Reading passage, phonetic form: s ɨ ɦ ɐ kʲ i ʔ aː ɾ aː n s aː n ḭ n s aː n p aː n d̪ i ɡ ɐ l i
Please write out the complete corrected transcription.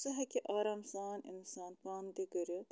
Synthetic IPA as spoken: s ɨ ɦ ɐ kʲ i ʔ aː ɾ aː m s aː n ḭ n s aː n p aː n d̪ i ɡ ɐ ɾ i